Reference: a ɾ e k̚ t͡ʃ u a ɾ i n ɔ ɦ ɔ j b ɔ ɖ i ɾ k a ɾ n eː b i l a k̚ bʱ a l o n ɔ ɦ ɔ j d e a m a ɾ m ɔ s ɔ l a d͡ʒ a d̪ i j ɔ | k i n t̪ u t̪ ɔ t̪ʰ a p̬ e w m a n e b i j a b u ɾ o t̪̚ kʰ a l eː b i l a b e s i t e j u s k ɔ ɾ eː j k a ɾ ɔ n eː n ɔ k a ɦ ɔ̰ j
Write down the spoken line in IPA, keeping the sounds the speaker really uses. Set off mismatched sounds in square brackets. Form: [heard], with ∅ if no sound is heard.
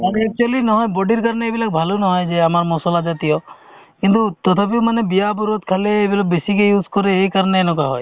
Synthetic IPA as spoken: a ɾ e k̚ t͡ʃ u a [l] i n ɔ ɦ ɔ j b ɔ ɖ i ɾ k a ɾ n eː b i l a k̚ bʱ a l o n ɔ ɦ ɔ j [d͡ʒ] e a m a ɾ m ɔ s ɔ l a d͡ʒ a [t̪] i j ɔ | k i n t̪ u t̪ ɔ t̪ʰ a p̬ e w m a n e b i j a b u ɾ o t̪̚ kʰ a l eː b i l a b e s i [k] e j u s k ɔ ɾ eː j k a ɾ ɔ n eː n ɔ k a ɦ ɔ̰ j